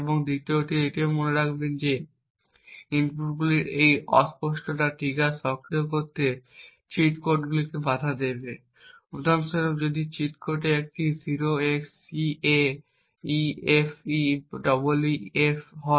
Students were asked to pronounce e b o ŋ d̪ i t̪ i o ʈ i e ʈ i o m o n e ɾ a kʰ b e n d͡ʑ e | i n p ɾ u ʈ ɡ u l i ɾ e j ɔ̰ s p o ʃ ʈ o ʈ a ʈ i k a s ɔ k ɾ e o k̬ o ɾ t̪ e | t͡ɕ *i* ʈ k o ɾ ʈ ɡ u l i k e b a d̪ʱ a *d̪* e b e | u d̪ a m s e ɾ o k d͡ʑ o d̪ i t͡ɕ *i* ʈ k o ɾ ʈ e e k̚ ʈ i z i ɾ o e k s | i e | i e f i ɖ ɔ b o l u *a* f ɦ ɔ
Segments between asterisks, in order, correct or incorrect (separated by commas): correct, correct, correct, incorrect